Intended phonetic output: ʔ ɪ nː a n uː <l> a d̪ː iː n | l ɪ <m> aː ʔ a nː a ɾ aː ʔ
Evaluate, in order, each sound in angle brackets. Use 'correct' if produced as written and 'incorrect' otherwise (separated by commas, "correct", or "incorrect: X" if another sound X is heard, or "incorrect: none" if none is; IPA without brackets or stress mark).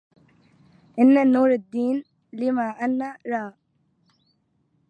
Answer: incorrect: ɾ, correct